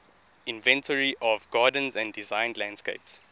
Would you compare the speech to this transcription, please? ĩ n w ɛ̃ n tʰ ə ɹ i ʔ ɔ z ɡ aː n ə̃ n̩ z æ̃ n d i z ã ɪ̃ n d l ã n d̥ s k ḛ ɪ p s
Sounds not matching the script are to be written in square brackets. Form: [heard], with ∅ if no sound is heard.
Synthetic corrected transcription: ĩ n [v] ɛ̃ n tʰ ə ɹ i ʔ ɔ [v] ɡ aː [d] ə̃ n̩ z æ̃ n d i z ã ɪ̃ n d l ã n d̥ s k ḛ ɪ p s